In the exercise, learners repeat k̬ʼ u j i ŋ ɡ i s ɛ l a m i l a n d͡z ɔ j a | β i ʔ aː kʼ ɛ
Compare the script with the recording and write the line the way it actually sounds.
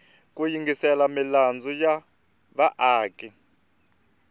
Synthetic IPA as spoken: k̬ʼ u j i ŋ ɡ i s ɛ l a m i l a n d͡z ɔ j a | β a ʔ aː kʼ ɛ